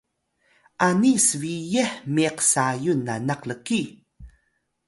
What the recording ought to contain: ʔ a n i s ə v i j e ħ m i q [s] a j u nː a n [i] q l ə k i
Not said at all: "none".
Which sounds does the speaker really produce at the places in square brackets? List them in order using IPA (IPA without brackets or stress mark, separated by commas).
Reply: s, a